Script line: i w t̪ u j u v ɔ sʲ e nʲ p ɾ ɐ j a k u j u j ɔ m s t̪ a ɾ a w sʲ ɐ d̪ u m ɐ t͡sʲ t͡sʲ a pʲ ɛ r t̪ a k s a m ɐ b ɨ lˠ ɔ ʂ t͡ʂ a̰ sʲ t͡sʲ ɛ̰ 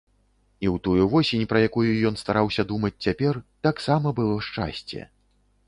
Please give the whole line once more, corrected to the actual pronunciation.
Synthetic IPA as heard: i w t̪ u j u v ɔ sʲ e nʲ p ɾ ɐ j a k u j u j ɔ n s t̪ a ɾ a w sʲ ɐ d̪ u m ɐ t͡sʲ t͡sʲ a pʲ ɛ r t̪ a k s a m ɐ b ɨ lˠ ɔ ʂ t͡ʂ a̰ sʲ t͡sʲ ɛ̰